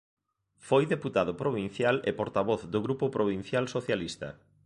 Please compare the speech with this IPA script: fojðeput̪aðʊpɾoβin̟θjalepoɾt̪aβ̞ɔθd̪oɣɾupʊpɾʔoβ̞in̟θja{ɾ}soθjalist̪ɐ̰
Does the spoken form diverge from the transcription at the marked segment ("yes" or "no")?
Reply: yes